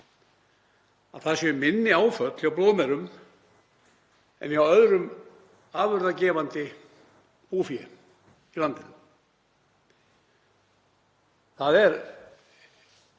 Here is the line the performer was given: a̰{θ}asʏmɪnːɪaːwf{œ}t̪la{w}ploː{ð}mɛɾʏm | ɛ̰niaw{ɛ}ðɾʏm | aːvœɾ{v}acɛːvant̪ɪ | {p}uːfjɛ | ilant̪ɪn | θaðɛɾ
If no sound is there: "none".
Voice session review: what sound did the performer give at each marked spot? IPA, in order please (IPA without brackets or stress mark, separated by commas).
θ, œ, w, ð, œ, ð, p